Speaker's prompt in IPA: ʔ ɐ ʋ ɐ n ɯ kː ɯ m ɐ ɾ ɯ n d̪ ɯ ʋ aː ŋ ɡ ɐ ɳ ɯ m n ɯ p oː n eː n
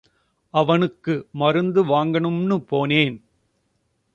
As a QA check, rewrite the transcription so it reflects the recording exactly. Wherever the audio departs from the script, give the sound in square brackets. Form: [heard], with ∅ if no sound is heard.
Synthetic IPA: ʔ ɐ ʋ ɐ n ɯ kː ɯ m ɐ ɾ ɯ n d̪ ɯ ʋ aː ŋ ɡ ɐ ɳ ɯ m n ɯ p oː n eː n